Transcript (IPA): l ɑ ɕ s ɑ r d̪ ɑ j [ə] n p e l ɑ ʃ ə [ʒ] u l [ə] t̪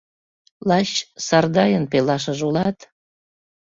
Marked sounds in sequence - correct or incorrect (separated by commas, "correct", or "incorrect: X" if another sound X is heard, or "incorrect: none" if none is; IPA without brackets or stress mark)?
correct, correct, incorrect: ɑ